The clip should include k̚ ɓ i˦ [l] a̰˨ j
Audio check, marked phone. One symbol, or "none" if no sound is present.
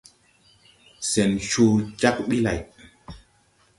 l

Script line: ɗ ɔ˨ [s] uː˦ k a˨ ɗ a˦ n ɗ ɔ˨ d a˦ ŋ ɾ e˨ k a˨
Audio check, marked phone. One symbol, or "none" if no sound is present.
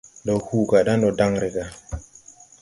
h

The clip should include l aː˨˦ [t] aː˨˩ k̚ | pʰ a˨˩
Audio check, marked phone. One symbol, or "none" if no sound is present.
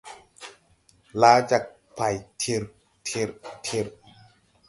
t͡ɕ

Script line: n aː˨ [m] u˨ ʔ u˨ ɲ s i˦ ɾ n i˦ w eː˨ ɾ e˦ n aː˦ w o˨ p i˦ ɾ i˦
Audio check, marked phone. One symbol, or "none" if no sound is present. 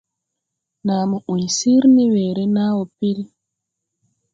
m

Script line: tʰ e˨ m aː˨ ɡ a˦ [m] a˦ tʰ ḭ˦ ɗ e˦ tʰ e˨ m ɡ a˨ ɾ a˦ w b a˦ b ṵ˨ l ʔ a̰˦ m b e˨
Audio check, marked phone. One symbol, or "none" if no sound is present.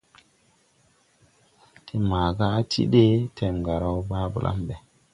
none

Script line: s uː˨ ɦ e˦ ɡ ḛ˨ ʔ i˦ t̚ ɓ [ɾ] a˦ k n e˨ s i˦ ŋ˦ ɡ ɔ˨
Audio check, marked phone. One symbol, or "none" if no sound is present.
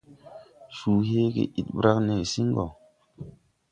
ɾ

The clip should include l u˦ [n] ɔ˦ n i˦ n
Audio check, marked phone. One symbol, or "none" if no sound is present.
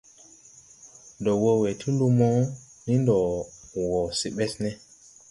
m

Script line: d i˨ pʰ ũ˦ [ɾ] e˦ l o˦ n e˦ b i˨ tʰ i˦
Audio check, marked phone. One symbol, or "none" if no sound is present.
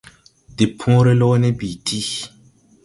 ɾ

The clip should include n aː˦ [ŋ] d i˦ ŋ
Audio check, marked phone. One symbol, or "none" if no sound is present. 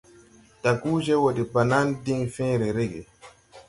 n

